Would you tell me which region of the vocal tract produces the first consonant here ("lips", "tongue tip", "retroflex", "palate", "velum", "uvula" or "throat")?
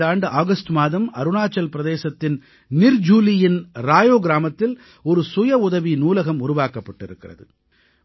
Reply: retroflex